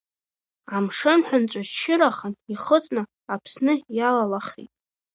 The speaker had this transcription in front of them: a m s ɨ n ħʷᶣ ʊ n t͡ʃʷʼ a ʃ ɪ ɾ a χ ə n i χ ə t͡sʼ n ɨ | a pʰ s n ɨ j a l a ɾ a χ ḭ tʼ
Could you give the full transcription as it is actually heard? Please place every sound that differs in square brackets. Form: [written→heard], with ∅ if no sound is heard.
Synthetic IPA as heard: a m [s→ʂ] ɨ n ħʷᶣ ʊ n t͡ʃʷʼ a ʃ ɪ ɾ a χ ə n i χ ə t͡sʼ n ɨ | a pʰ s n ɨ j a l a [ɾ→l] a χ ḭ tʼ